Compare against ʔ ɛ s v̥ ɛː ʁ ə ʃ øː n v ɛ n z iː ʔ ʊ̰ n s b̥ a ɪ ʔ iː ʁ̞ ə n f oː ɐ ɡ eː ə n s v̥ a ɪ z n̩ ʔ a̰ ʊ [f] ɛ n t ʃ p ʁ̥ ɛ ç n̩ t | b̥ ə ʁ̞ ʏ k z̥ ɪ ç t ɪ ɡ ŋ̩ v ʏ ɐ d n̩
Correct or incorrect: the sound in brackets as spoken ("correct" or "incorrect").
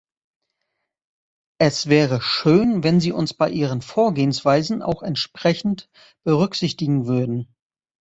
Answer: incorrect